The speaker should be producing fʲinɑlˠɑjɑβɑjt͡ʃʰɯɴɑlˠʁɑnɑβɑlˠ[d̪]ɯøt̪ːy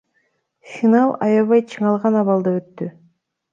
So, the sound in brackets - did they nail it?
yes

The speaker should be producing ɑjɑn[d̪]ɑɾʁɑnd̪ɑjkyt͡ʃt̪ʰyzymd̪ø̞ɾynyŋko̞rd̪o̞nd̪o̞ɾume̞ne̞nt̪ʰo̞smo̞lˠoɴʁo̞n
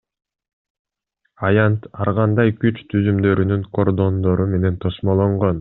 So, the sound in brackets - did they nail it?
no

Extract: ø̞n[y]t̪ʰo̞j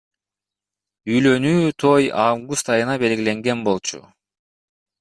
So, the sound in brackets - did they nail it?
no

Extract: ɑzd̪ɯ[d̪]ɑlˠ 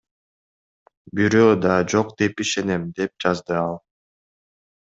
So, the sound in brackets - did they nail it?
no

